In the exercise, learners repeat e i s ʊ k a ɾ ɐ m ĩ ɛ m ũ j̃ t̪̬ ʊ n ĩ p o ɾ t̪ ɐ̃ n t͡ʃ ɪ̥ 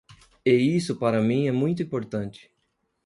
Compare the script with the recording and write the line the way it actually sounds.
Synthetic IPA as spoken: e i s ʊ p a ɾ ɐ m ĩ ɛ m ũ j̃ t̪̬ ʊ ĩ p o ɾ t̪ ɐ̃ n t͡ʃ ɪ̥

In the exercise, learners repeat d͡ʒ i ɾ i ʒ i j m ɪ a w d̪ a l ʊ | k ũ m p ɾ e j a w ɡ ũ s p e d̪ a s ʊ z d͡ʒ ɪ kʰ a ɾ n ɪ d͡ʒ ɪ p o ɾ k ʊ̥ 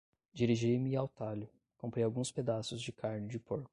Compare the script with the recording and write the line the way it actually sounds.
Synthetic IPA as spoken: d͡ʒ i ɾ i ʒ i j m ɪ a w t̪ a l ʊ | k õ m p ɾ e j a w ɡ ũ s p e d̪ a s ʊ z d͡ʒ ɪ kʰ a ɾ n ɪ d͡ʒ ɪ p o ɾ k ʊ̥

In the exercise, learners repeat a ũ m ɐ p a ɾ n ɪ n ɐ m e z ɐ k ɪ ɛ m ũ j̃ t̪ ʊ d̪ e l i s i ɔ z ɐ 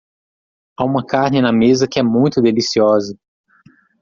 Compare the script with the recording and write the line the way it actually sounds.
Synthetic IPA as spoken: a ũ m ɐ k a ɾ n ɪ n ɐ m e z ɐ k ɪ ɛ m ũ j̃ t̪ ʊ d̪ e l i s i ɔ z ɐ

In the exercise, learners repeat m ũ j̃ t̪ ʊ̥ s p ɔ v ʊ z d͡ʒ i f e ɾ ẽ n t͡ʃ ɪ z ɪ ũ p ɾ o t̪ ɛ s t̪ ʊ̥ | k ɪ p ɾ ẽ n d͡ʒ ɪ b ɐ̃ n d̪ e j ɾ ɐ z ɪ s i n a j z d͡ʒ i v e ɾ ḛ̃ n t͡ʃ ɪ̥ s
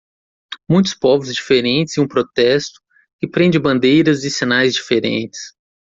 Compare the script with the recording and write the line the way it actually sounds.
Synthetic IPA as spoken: m ũ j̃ t̪ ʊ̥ s p ɔ v ʊ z d͡ʒ i f e ɾ ẽ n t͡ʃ ɪ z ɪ ũ p ɾ o t̪ ɛ s t̪ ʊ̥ | k ɪ p ɾ ẽ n d͡ʒ ɪ b ɐ̃ n d̪ e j ɾ ɐ z ɪ s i n a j z d͡ʒ i f e ɾ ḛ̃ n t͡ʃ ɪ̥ s

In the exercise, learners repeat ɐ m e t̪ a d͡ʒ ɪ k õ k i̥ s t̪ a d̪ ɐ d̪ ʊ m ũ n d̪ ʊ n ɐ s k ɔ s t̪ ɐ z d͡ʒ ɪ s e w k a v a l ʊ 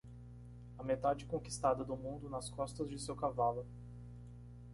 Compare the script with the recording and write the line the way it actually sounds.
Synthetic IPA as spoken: ɐ m e t̪ a d͡ʒ ɪ k õ k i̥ s t̪ a d̪ ɐ d̪ ʊ m ũ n d̪ ʊ n ɐ s k ɔ s t̪ ɐ z d͡ʒ ɪ s e w k a v a l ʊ

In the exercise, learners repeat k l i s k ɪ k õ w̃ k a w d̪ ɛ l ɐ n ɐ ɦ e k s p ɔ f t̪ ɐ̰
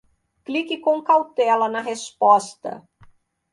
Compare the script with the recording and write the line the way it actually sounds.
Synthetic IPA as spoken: k l i k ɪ k õ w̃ k a w t̪ ɛ l ɐ n ɐ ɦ e s p ɔ s t̪ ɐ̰

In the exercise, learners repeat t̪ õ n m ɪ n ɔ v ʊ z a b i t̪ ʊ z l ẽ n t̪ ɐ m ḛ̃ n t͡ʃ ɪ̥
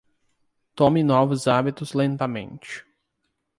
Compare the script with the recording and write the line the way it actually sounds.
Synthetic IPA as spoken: t̪ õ m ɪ n ɔ v ʊ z a b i t̪ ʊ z l ẽ n t̪ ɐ m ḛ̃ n t͡ʃ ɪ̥

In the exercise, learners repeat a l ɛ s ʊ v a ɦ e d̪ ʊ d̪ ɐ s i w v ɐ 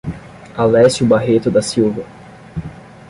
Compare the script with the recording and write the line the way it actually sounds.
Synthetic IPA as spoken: a l ɛ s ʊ b a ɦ e t̪ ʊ d̪ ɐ s i w v ɐ

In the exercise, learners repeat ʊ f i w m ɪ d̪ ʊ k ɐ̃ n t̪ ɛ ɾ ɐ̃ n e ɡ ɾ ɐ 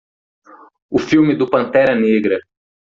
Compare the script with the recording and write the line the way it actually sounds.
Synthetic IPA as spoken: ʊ f i w m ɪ d̪ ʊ p ɐ̃ n t̪ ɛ ɾ ɐ n e ɡ ɾ ɐ

